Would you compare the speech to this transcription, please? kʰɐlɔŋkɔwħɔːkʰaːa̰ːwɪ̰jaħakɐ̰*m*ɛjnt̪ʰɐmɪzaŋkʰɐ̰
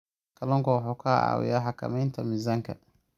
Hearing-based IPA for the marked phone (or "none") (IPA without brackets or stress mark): m